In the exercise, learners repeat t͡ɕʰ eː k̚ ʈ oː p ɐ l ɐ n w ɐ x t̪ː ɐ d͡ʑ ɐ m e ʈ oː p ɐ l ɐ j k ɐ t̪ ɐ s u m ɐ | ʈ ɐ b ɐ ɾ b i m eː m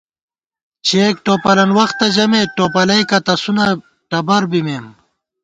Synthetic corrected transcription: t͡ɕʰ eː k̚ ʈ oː p ɐ l ɐ n w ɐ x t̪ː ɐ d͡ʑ ɐ m e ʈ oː p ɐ l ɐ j k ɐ t̪ ɐ s u n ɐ | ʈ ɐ b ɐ ɾ b i m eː m